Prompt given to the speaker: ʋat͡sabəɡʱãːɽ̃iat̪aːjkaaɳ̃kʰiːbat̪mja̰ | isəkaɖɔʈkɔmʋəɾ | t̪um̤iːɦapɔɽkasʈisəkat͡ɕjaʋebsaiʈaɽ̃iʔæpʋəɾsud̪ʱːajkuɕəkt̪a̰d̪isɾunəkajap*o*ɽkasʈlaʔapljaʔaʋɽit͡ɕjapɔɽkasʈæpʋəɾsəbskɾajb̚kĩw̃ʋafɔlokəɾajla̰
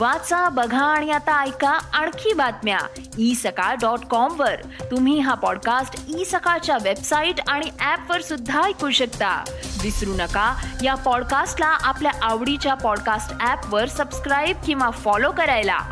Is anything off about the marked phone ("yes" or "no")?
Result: yes